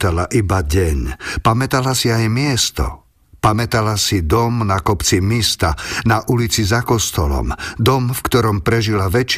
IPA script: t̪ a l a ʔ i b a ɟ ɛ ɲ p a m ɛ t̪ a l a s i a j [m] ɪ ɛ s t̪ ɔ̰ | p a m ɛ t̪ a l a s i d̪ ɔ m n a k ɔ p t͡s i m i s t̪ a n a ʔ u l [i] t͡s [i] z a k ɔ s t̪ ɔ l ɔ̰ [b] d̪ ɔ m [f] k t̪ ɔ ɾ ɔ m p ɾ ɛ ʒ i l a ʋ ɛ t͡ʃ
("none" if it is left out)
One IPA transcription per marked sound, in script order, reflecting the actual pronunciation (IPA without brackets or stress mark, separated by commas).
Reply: m, i, i, m, f